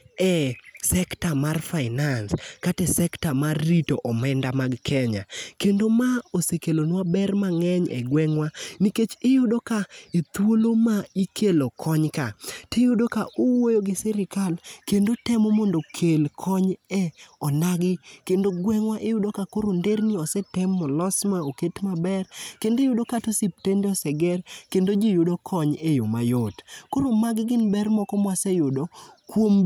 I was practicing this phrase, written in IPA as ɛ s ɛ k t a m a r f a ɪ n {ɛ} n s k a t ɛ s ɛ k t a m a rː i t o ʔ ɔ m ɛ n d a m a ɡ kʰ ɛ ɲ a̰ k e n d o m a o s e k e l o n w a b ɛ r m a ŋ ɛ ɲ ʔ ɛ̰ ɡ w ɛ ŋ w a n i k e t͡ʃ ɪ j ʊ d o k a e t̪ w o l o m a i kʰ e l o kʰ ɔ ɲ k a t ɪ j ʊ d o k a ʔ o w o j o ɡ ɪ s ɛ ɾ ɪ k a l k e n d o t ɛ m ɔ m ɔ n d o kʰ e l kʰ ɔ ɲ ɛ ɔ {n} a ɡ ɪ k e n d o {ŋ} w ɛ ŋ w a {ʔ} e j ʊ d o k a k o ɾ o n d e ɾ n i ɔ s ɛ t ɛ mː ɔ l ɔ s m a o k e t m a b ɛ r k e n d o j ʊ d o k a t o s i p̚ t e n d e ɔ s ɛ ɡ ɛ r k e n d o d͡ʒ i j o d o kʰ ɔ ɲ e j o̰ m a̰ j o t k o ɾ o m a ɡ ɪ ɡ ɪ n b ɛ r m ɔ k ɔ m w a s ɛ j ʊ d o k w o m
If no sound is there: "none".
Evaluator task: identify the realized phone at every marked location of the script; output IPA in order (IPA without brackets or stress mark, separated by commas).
a, n, ɡ, ʔ